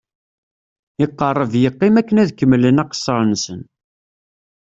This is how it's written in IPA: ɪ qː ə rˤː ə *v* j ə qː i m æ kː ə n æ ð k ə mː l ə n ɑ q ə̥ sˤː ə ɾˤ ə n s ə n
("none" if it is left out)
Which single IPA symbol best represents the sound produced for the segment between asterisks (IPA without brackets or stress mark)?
v